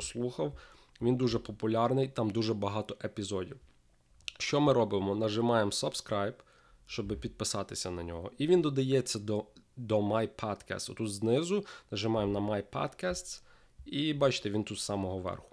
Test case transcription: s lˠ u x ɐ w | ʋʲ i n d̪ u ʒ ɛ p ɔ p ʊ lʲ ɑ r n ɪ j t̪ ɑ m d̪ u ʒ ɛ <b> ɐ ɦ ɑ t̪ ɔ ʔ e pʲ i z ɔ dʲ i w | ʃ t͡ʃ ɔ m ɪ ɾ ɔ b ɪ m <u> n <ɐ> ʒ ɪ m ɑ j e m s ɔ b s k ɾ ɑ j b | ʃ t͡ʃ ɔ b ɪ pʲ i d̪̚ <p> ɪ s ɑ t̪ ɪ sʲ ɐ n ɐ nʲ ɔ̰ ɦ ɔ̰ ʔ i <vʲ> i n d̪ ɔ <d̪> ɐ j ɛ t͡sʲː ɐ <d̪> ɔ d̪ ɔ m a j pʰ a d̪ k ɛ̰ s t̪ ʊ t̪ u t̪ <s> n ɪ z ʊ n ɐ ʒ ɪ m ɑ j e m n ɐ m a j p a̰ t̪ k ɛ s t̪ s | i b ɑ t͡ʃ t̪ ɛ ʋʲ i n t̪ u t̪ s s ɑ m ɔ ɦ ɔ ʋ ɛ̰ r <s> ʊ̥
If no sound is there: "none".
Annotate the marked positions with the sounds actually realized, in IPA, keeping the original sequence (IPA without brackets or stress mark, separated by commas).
b, ɔ, ɐ, p, ʋʲ, d̪, d̪, z, x